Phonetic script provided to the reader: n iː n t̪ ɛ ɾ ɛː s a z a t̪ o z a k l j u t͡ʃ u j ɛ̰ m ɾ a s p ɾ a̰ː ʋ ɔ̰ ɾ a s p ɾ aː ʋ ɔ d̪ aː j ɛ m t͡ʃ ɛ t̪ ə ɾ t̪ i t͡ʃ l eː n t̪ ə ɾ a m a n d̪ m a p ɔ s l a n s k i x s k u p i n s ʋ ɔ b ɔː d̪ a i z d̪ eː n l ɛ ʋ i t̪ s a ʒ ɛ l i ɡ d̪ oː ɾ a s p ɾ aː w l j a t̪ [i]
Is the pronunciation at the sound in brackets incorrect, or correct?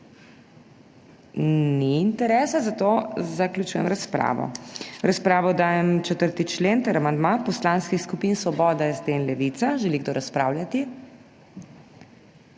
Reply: correct